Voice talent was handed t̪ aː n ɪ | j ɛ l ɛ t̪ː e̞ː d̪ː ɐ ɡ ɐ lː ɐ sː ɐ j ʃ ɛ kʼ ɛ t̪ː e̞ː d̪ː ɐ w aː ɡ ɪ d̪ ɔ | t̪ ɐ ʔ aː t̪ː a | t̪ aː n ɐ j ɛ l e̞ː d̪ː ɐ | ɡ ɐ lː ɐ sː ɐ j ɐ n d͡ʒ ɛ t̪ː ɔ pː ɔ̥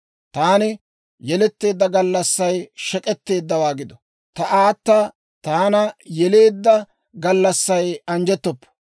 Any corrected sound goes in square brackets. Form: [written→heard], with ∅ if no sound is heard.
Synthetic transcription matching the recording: t̪ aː n ɪ | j ɛ l ɛ t̪ː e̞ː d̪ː ɐ ɡ ɐ lː ɐ sː ɐ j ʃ ɛ kʼ ɛ t̪ː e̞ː d̪ː ɐ w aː ɡ ɪ d̪ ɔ | t̪ ɐ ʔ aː t̪ː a | t̪ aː n ɐ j ɛ l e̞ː d̪ː ɐ | ɡ ɐ lː ɐ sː ɐ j ɐ n d͡ʒ ɛ t̪ː ɔ pː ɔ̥

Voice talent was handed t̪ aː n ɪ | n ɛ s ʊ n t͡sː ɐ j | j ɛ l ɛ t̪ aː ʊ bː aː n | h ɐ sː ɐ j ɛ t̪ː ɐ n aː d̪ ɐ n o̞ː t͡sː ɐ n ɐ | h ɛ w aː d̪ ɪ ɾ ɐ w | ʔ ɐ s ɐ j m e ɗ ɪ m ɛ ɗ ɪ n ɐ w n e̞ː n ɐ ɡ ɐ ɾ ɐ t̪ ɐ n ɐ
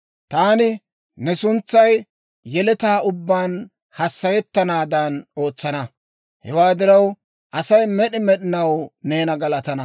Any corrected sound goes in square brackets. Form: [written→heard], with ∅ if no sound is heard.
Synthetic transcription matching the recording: t̪ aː n ɪ | n ɛ s ʊ n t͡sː ɐ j | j ɛ l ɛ t̪ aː ʊ bː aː n | h ɐ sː ɐ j ɛ t̪ː ɐ n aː d̪ ɐ n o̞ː t͡sː ɐ n ɐ | h ɛ w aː d̪ ɪ ɾ ɐ w | ʔ ɐ s ɐ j m [e→ɛ] ɗ ɪ m ɛ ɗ ɪ n ɐ w n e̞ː n ɐ ɡ ɐ [ɾ→l] ɐ t̪ ɐ n ɐ

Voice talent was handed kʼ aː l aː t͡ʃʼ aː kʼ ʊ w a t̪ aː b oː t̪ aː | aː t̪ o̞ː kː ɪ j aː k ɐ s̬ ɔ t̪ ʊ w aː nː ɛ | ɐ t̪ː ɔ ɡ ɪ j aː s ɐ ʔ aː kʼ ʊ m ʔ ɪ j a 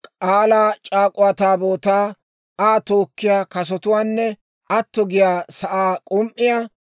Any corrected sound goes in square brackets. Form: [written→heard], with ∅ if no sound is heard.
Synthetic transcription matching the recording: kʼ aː l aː t͡ʃʼ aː kʼ ʊ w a t̪ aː b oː t̪ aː | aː t̪ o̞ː kː ɪ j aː k ɐ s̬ ɔ t̪ ʊ w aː nː ɛ | ɐ t̪ː ɔ ɡ ɪ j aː s ɐ ʔ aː kʼ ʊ m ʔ ɪ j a

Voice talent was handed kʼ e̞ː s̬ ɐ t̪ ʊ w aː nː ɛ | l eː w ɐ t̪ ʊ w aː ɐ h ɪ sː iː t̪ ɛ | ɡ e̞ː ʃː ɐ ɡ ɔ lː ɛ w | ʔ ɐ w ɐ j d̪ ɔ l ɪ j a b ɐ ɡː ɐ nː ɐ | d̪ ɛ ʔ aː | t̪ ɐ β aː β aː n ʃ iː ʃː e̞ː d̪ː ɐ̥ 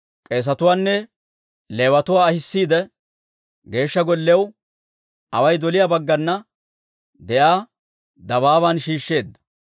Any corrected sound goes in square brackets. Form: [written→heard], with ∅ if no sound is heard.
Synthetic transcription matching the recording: kʼ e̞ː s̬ ɐ t̪ ʊ w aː nː ɛ | l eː w ɐ t̪ ʊ w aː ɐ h ɪ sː iː [t̪→d̪] ɛ | ɡ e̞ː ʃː ɐ ɡ ɔ lː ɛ w | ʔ ɐ w ɐ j d̪ ɔ l ɪ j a b ɐ ɡː ɐ nː ɐ | d̪ ɛ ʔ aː | [t̪→d̪] ɐ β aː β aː n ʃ iː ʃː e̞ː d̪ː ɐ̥

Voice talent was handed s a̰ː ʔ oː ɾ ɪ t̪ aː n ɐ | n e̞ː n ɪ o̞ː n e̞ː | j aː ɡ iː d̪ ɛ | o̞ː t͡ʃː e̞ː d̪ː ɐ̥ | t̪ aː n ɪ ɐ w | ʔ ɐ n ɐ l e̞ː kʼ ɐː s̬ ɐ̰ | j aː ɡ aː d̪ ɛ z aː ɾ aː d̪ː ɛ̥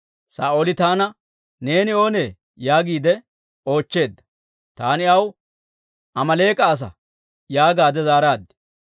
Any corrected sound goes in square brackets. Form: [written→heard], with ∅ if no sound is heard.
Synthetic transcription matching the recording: s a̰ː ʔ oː [ɾ→l] ɪ t̪ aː n ɐ | n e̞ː n ɪ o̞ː n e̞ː | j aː ɡ iː d̪ ɛ | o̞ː t͡ʃː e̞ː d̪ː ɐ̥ | t̪ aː n ɪ ɐ w | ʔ ɐ [n→m] ɐ l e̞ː kʼ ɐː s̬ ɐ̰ | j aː ɡ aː d̪ ɛ z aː ɾ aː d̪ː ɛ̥

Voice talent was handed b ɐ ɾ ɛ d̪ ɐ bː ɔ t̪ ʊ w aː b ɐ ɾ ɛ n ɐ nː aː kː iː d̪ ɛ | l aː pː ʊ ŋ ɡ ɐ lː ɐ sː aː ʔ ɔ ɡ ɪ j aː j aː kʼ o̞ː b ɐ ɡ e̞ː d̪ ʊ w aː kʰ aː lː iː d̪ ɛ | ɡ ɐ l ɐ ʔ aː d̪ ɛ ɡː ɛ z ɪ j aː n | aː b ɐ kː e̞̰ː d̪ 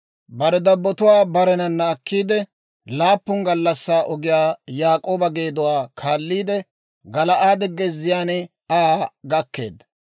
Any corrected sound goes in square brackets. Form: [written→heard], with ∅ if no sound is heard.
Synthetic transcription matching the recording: b ɐ ɾ ɛ d̪ ɐ bː ɔ t̪ ʊ w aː b ɐ ɾ ɛ n ɐ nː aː kː iː d̪ ɛ | l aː pː ʊ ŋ ɡ ɐ lː ɐ sː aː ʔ ɔ ɡ ɪ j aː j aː kʼ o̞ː b ɐ ɡ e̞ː d̪ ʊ w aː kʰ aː lː iː d̪ ɛ | ɡ ɐ l ɐ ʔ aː d̪ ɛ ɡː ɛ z ɪ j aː n | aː [b→ɡ] ɐ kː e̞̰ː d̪

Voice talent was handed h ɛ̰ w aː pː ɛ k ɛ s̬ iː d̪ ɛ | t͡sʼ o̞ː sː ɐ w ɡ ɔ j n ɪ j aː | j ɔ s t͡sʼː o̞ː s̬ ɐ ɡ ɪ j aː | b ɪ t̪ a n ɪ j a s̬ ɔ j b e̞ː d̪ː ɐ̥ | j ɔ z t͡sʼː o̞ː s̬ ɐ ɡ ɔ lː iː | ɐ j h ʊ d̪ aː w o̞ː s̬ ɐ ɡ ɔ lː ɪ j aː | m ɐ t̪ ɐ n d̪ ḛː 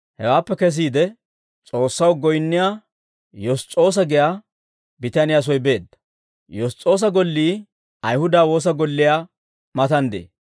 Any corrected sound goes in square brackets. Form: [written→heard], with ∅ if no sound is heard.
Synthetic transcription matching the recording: h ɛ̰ w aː pː ɛ k ɛ s̬ iː d̪ ɛ | t͡sʼ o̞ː sː ɐ w ɡ ɔ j [n→nː] ɪ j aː | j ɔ s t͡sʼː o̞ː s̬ ɐ ɡ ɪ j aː | b ɪ t̪ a n ɪ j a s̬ ɔ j b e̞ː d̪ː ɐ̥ | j ɔ [z→s] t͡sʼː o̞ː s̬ ɐ ɡ ɔ lː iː | ɐ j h ʊ d̪ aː w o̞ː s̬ ɐ ɡ ɔ lː ɪ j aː | m ɐ t̪ ɐ n d̪ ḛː

